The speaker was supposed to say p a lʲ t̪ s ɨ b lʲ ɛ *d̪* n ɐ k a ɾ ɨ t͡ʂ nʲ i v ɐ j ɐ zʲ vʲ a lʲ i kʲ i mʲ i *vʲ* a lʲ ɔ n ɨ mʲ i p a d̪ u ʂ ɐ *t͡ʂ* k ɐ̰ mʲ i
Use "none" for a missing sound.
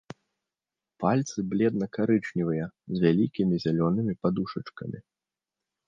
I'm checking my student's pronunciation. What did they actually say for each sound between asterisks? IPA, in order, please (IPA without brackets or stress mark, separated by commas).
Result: d̪, zʲ, t͡ʂ